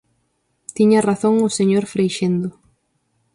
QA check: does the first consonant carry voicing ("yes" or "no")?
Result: no